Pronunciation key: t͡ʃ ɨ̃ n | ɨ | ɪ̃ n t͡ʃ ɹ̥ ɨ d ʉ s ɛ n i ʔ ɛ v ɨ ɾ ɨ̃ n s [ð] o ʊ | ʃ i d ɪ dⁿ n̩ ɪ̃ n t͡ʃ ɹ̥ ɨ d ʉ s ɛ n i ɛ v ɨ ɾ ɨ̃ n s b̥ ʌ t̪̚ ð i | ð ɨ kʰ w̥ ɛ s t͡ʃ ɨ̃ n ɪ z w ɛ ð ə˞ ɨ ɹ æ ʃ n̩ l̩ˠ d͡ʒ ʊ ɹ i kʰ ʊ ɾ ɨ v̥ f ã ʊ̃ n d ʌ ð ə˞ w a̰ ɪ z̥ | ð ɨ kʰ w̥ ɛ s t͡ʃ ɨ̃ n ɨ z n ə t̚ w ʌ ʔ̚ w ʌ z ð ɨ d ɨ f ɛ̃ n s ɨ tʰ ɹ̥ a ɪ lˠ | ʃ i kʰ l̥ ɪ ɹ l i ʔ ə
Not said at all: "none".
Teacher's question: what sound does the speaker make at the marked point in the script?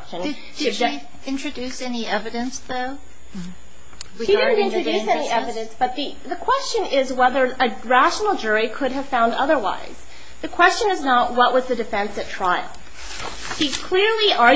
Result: ð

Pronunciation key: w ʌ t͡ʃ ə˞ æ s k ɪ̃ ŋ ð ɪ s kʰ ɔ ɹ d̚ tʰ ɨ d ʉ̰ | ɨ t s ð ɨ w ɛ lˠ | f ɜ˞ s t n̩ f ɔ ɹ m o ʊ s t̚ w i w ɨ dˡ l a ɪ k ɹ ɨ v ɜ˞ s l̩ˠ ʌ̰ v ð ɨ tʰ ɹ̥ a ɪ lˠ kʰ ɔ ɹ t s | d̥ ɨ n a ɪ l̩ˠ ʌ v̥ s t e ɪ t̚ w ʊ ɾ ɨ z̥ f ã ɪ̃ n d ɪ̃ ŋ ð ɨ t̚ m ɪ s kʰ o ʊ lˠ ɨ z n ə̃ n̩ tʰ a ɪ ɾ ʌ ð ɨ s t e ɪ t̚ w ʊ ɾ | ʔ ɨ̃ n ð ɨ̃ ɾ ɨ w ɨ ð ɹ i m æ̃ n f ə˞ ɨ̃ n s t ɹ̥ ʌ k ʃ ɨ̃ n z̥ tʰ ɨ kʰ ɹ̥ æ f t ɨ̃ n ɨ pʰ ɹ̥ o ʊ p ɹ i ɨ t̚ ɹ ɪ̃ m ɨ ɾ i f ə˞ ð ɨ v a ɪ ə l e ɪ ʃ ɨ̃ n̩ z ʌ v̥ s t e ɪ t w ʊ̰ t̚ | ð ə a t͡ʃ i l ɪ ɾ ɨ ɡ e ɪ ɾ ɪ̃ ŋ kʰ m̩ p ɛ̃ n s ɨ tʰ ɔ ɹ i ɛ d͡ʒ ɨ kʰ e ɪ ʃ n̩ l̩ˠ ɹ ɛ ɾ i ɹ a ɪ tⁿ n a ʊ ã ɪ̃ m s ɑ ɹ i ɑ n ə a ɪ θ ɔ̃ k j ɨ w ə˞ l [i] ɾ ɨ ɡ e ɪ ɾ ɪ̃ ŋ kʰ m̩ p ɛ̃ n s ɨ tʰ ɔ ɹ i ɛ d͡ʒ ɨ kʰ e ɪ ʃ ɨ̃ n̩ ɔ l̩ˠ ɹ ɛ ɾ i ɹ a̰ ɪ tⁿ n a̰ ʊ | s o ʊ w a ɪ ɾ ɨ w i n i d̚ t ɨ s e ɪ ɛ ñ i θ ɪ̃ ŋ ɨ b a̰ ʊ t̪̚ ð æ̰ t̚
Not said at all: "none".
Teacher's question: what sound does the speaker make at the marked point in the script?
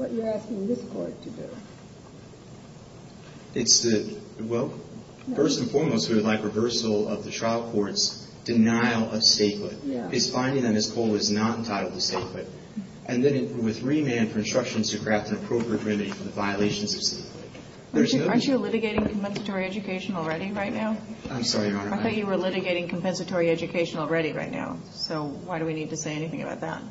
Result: ɪ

